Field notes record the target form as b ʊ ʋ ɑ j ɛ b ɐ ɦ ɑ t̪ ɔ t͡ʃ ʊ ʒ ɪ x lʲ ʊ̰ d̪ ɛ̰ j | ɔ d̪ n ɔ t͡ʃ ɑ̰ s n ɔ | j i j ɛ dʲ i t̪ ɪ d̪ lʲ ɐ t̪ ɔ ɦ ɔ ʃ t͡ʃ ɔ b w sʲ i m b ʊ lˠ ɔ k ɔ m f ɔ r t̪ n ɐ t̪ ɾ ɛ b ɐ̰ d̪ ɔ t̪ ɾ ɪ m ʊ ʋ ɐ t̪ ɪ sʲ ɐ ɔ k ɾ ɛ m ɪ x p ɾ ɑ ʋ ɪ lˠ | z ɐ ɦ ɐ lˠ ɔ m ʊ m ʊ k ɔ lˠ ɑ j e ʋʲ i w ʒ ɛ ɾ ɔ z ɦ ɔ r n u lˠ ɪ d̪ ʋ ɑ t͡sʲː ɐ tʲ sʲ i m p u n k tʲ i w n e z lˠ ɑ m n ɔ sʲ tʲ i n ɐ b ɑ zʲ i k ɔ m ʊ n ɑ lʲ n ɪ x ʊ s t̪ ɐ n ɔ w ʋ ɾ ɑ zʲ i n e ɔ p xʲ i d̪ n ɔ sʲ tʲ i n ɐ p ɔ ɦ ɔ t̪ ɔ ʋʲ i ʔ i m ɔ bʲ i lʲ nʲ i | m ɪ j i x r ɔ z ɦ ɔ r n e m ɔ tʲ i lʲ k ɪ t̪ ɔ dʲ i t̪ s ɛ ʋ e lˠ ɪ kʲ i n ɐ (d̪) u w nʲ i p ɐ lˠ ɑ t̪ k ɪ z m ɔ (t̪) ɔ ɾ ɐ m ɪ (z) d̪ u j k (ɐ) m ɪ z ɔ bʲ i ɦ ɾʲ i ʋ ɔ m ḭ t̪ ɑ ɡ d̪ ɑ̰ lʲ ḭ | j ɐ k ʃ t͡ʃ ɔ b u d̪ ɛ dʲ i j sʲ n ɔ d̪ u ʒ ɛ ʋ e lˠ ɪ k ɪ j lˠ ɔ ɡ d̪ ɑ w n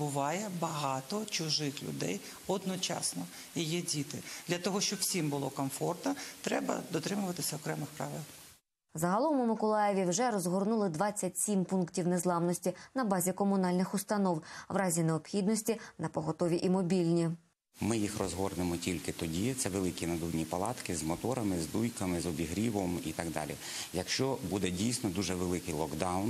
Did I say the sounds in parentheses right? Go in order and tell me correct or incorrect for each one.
correct, correct, correct, correct

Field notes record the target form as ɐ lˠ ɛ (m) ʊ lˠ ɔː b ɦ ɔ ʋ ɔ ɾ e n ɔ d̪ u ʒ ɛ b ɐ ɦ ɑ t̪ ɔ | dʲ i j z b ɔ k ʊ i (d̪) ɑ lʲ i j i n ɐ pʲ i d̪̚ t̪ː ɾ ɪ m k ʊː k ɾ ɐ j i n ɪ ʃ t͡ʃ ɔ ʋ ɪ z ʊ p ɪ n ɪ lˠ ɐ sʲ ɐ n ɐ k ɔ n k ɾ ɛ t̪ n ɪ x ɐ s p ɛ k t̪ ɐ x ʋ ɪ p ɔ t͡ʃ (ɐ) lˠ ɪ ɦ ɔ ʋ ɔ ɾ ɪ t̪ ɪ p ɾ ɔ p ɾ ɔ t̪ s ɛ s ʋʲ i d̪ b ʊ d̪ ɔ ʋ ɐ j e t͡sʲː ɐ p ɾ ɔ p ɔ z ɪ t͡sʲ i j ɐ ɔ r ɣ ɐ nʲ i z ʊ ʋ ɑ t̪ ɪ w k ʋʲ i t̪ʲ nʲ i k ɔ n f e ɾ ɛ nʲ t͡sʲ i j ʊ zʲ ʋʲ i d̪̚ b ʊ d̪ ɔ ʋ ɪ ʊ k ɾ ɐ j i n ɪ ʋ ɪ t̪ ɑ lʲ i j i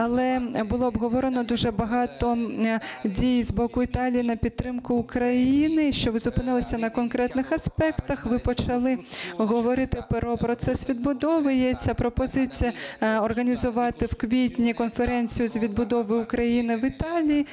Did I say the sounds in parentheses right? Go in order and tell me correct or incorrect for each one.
incorrect: b, incorrect: t̪, correct

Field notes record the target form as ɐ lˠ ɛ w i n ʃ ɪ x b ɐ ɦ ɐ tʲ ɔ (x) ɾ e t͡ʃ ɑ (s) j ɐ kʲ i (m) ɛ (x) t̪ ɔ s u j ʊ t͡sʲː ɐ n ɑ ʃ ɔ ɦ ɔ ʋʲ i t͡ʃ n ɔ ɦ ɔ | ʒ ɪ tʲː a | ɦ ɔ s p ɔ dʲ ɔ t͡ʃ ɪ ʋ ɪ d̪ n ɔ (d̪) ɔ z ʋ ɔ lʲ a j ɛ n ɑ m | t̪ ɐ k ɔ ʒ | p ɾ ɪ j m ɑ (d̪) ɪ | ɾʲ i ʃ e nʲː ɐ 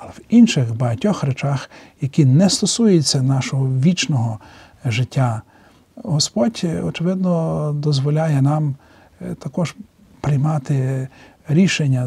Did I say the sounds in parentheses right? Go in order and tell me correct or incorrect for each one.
correct, incorrect: x, incorrect: n, incorrect: s, correct, incorrect: t̪

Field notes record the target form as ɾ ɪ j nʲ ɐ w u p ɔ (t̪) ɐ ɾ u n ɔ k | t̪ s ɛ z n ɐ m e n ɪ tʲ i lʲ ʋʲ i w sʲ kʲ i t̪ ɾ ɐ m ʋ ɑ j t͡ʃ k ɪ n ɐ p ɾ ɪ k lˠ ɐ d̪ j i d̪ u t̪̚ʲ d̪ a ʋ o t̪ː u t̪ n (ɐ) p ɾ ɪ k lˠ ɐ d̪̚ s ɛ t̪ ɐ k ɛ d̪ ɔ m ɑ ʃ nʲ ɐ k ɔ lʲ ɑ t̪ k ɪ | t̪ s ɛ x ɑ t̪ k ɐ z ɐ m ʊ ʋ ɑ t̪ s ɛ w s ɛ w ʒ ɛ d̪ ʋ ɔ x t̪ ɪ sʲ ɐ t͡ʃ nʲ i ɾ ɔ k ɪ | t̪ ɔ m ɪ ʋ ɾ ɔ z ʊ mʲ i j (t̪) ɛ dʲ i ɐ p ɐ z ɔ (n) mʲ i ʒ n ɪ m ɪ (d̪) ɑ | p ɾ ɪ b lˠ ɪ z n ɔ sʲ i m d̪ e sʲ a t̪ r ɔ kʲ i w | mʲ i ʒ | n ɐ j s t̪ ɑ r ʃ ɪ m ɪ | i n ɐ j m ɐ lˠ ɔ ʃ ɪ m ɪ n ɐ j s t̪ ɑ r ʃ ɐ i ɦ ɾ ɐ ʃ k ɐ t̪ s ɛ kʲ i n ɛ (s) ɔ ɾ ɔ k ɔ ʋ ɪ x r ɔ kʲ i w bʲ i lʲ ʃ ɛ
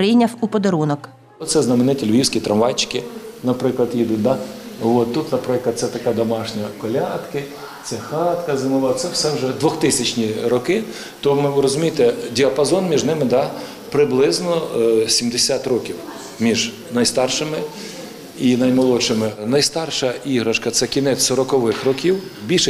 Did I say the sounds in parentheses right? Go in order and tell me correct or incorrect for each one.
incorrect: d̪, correct, correct, correct, correct, correct

